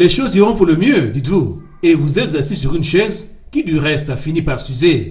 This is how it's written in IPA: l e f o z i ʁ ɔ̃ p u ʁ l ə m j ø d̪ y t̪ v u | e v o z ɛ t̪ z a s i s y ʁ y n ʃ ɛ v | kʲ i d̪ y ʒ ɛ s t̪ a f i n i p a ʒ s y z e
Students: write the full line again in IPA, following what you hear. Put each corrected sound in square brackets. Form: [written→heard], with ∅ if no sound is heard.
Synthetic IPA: l e [f→ʃ] o z i ʁ ɔ̃ p u ʁ l ə m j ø d̪ [y→i] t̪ v u | e v [o→u] z ɛ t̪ z a s i s y ʁ y n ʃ ɛ [v→z] | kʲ i d̪ y [ʒ→ʁ] ɛ s t̪ a f i n i p a [ʒ→ʁ] s y z e